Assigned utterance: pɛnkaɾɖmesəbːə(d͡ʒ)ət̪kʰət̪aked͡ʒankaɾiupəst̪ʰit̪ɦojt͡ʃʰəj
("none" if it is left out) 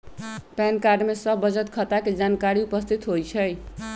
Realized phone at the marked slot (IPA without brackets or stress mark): d͡ʒ